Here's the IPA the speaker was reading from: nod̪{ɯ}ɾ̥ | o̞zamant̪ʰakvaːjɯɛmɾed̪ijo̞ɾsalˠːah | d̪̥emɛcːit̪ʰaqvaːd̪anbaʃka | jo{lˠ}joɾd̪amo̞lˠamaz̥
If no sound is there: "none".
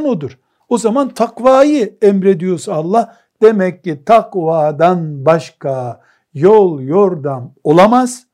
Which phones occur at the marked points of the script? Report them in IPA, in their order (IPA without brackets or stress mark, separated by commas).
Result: u, lˠ